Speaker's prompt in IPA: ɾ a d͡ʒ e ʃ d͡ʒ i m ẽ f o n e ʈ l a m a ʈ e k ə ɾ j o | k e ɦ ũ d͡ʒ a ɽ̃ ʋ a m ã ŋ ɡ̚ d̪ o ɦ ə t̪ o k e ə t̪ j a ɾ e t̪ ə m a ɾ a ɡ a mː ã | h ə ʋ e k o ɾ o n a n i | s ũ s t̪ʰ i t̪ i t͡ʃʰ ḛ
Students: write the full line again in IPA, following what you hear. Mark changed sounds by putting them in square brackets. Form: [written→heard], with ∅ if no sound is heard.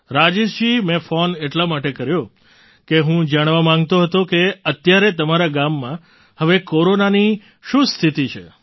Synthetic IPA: ɾ a d͡ʒ e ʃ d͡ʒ i m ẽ f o n e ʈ l a m a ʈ e k ə ɾ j o | k e ɦ ũ d͡ʒ a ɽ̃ ʋ a m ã ŋ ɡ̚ [d̪→t̪] o ɦ ə t̪ o k e ə t̪ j a ɾ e t̪ ə m a ɾ a ɡ a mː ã | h ə ʋ e k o ɾ o n a n i | [s→ʃ] ũ s t̪ʰ i t̪ i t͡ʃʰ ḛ

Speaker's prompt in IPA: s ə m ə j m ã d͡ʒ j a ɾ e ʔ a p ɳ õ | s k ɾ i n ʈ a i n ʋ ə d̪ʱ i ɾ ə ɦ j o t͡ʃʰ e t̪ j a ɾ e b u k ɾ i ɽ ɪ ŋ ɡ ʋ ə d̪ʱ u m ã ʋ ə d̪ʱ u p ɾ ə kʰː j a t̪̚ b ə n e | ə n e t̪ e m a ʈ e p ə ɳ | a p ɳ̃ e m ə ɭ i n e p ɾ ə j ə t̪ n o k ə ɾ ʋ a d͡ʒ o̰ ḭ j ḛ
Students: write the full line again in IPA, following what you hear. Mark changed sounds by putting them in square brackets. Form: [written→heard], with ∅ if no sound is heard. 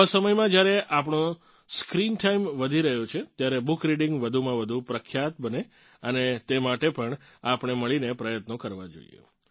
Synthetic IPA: s ə m ə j m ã d͡ʒ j a ɾ e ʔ a p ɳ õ | s k ɾ i n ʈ a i [n→m] ʋ ə d̪ʱ i ɾ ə ɦ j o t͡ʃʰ e t̪ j a ɾ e b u k ɾ i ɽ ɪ ŋ ɡ ʋ ə d̪ʱ u m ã ʋ ə d̪ʱ u p ɾ ə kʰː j a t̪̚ b ə n e | ə n e t̪ e m a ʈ e p ə ɳ | a p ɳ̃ e m ə ɭ i n e p ɾ ə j ə t̪ n o k ə ɾ ʋ a d͡ʒ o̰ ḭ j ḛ

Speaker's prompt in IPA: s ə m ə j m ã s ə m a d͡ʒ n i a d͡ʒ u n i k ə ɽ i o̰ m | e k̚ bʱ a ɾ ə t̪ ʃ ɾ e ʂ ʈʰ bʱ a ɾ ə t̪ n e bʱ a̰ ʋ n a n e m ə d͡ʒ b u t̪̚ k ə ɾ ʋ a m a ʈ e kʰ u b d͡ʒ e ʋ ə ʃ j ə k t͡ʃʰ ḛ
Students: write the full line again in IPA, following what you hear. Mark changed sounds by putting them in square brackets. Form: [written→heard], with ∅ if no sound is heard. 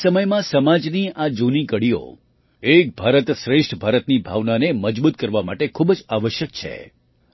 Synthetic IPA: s ə m ə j m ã s ə m a d͡ʒ n i a d͡ʒ u n i k ə ɽ i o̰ [m→∅] | e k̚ bʱ a ɾ ə t̪ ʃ ɾ e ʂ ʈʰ bʱ a ɾ ə t̪ n [e→i] bʱ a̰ ʋ n a n e m ə d͡ʒ b u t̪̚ k ə ɾ ʋ a m a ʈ e kʰ u b d͡ʒ [e→a] ʋ ə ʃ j ə k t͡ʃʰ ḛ

